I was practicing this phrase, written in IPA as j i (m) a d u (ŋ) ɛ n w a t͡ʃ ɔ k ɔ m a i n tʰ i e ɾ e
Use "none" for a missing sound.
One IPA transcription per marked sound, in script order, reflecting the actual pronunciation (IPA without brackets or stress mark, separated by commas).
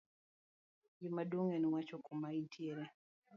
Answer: m, ŋ